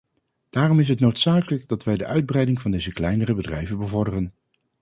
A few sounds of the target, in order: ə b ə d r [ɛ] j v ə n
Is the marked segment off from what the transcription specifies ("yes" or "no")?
no